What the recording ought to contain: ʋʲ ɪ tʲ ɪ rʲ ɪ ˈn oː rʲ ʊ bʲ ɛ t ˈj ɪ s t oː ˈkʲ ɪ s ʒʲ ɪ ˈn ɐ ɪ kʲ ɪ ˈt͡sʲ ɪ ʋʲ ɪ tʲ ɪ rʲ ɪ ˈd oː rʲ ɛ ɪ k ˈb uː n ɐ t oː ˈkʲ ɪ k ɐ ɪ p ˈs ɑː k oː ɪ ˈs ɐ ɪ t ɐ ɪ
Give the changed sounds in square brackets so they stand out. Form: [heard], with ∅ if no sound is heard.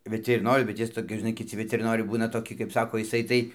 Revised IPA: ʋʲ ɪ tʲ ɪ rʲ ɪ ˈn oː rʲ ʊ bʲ ɛ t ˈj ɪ s t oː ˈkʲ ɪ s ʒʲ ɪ ˈn ɐ ɪ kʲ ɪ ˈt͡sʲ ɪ ʋʲ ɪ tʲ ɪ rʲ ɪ [ˈn] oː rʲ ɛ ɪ [∅] ˈb uː n ɐ t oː ˈkʲ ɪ k ɐ ɪ p ˈs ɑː k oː ɪ ˈs ɐ ɪ t ɐ ɪ